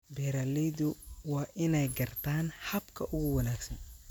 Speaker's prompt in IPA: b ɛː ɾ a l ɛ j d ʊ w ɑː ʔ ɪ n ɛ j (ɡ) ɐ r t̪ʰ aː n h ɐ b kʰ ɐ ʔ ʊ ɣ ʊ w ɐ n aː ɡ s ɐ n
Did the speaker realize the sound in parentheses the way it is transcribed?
yes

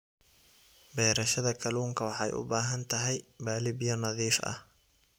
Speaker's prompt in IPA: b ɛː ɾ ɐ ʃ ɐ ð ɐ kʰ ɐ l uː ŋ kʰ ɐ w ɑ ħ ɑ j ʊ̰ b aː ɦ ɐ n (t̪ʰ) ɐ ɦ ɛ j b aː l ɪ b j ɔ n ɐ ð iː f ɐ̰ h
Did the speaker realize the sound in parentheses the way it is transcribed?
yes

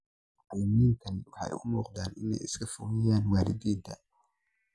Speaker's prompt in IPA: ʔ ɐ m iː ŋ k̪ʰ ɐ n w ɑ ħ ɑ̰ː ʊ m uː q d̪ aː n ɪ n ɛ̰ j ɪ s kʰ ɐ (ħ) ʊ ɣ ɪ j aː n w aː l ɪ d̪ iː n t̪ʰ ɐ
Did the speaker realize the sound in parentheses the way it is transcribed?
no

